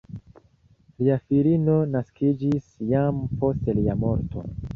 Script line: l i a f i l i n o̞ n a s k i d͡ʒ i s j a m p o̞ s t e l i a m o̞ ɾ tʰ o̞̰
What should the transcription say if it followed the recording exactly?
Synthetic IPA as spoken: l i a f i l i n o̞ n a s k i d͡ʒ i s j a m p o̞ s t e l i a m o̞ ɾ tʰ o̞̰